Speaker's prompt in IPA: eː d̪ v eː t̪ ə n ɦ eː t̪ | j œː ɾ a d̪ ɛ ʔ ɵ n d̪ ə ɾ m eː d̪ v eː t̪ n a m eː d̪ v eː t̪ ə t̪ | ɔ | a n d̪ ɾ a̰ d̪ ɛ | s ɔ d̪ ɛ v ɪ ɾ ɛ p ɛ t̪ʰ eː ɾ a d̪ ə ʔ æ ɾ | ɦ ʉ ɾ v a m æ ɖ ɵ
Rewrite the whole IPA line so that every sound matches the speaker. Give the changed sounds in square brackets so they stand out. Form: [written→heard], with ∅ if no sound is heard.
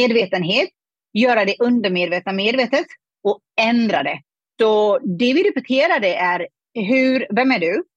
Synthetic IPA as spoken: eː d̪ v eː t̪ ə n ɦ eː t̪ | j œː ɾ a d̪ ɛ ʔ ɵ n d̪ ə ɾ m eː d̪ v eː t̪ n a m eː d̪ v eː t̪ ə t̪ | ɔ | [a→ɛ] n d̪ ɾ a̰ d̪ ɛ | s ɔ d̪ ɛ v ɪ ɾ ɛ p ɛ t̪ʰ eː ɾ a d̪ ə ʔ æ ɾ | ɦ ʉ ɾ v [a→ɛ] m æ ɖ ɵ